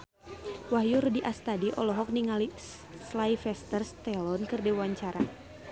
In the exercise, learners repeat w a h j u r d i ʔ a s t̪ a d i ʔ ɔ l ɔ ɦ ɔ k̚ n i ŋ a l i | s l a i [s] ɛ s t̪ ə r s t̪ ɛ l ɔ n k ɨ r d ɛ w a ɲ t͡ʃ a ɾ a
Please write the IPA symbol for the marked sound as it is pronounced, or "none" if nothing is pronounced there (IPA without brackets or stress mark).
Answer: f